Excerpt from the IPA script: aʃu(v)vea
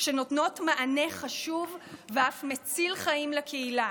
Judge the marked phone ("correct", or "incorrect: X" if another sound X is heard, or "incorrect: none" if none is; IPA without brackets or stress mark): correct